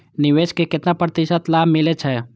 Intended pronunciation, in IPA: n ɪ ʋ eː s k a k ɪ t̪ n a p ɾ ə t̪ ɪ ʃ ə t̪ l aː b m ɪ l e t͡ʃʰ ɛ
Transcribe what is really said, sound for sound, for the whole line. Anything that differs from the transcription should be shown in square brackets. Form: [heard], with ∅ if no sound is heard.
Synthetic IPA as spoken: n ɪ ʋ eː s k [e] k ɪ t̪ n a p ɾ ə t̪ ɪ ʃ ə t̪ l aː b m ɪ l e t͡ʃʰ ɛ